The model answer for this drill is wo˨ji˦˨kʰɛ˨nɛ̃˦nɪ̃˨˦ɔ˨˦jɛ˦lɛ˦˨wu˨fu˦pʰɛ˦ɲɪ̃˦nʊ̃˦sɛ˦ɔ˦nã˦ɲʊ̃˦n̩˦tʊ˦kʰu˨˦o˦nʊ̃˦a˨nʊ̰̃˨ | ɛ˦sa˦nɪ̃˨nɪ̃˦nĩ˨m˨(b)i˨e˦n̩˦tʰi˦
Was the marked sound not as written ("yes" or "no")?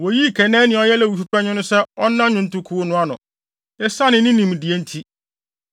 yes